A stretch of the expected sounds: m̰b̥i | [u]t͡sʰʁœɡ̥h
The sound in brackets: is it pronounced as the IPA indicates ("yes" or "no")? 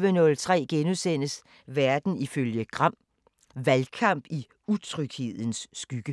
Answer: yes